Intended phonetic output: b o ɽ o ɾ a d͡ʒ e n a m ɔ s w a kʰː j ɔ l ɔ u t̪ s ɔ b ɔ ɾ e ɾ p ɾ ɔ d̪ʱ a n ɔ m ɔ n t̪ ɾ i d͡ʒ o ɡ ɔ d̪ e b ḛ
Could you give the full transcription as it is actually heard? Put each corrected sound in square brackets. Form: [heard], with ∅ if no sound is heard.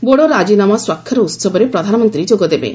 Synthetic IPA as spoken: b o ɽ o ɾ a d͡ʒ [i] n a m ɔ s w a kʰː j ɔ [ɾ] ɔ u t̪ s ɔ b ɔ ɾ e [∅] p ɾ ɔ d̪ʱ a n ɔ m ɔ n t̪ ɾ i d͡ʒ o ɡ ɔ d̪ e b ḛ